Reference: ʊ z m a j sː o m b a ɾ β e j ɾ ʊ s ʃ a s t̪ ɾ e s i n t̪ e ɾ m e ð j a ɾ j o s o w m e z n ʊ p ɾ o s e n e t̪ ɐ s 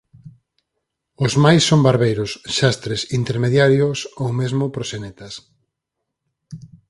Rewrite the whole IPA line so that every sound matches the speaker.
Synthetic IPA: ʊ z m a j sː o m b a ɾ β e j ɾ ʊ s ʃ a s t̪ ɾ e s i n t̪ e ɾ m e ð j a ɾ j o s o w m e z m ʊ p ɾ o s e n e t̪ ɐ s